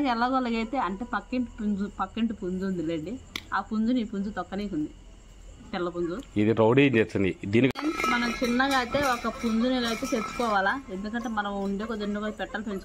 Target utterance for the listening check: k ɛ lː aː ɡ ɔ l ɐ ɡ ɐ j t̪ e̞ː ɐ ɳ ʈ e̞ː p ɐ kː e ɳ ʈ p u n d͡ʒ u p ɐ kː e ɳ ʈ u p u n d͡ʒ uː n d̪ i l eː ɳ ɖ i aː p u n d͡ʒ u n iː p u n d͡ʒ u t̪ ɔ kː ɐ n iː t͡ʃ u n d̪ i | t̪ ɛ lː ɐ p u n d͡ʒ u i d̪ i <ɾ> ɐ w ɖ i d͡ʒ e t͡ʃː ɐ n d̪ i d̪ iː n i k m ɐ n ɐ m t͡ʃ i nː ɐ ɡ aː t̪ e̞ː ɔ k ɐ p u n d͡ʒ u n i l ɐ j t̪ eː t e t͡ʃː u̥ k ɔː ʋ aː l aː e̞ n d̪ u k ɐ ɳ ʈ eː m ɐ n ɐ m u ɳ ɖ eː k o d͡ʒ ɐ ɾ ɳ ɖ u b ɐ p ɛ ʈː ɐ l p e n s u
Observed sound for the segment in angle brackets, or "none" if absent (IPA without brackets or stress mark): ɾ